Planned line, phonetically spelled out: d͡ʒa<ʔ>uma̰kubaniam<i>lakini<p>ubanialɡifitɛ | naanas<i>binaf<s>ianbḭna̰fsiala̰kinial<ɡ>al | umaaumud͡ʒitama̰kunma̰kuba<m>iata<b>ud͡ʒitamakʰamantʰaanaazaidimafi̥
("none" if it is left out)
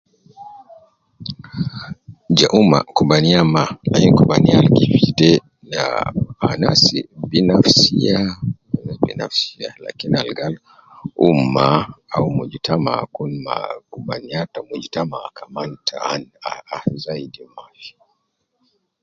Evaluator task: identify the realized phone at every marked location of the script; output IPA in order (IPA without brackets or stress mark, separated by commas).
ʔ, a, k, i, s, ɡ, n, m